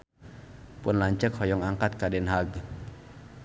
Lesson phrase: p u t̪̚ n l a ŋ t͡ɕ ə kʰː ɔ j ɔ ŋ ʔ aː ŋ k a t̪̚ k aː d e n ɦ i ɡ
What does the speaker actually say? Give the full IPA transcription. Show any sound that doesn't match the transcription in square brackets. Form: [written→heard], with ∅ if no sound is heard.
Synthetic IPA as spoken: p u [t̪̚→∅] n l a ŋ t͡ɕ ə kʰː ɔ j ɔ ŋ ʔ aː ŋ k a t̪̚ k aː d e n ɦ [i→a] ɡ